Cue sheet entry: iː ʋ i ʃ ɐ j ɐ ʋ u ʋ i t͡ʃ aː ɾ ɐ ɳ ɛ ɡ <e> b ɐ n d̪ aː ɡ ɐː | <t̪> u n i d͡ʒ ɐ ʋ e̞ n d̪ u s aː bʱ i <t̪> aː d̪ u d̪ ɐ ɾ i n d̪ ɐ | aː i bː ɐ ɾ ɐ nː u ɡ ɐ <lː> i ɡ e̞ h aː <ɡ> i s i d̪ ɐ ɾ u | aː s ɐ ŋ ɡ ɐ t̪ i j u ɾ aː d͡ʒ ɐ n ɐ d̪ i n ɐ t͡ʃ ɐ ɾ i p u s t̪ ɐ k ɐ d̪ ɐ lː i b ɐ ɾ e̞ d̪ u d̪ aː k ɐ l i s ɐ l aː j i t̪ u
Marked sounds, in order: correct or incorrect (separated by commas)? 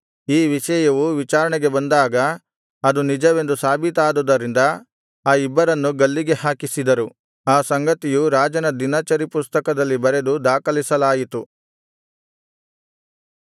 correct, incorrect, correct, correct, incorrect